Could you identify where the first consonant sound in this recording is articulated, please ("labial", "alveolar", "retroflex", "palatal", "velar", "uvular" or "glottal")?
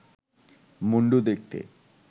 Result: labial